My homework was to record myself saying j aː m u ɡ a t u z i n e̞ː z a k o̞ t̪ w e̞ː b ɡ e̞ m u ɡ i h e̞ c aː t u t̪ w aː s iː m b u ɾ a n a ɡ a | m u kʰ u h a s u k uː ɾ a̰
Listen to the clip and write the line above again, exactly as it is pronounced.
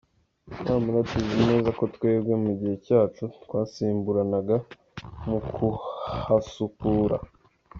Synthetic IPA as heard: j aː m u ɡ a t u z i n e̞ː z a k o̞ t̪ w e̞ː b ɡ e̞ m u ɟ i h e̞ c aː t͡ʃ u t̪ w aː s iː m b u ɾ a n a ɡ a | m u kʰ u h a s u k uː ɾ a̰